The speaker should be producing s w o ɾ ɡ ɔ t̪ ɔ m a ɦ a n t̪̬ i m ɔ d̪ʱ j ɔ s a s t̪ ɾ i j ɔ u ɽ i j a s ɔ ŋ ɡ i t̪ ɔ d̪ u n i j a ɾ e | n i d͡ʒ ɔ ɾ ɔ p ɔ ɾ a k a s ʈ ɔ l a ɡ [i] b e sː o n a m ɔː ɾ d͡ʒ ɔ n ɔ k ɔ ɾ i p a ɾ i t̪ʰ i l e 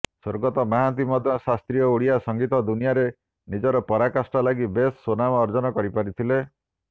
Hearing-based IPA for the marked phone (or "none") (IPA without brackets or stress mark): i